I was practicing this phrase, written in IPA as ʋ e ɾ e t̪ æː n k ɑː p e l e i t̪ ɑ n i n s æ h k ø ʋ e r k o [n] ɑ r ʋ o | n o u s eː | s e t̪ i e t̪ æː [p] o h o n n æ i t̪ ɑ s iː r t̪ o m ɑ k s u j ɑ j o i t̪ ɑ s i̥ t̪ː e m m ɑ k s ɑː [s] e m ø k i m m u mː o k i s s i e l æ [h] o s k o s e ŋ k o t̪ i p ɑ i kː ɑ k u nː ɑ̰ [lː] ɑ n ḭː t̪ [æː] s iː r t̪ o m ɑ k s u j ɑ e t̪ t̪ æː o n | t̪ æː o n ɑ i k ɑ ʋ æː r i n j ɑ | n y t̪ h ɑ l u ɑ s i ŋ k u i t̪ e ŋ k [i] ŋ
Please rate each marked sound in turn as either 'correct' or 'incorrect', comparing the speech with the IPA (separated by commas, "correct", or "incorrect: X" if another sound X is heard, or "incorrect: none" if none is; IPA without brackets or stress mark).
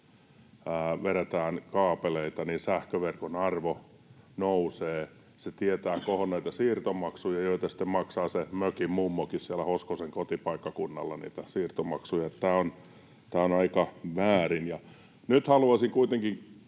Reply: correct, incorrect: k, correct, correct, correct, incorrect: æ, correct